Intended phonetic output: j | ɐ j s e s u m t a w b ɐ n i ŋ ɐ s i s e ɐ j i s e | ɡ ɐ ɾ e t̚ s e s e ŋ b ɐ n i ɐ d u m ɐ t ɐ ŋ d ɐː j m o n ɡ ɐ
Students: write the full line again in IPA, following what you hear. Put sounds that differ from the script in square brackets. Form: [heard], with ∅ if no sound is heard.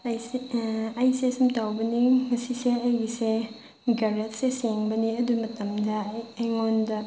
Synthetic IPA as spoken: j | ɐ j s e s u m t a w b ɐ n i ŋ ɐ s i s e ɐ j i s e | ɡ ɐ ɾ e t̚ s e s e ŋ b ɐ n i ɐ d u m ɐ t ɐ [m] d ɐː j [ŋ] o n [d] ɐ